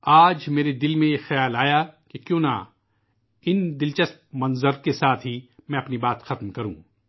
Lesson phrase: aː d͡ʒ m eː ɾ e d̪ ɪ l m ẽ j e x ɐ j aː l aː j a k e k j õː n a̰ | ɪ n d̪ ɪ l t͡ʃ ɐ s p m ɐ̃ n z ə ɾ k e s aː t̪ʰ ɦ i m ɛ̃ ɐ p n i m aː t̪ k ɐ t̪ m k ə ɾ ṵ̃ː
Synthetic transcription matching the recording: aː d͡ʒ m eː ɾ e d̪ ɪ l m ẽ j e x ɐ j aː l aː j a k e k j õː n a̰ | ɪ n d̪ ɪ l t͡ʃ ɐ s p m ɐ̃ n z ə ɾ k e s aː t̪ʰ ɦ i m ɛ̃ ɐ p n i b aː t̪ x ɐ t̪ m k ɐ ɾ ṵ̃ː